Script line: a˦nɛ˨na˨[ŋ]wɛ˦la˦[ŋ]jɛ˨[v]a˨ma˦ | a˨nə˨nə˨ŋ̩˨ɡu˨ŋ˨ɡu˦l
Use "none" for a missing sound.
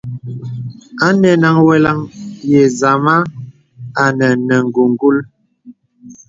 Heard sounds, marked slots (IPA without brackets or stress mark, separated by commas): ŋ, ŋ, z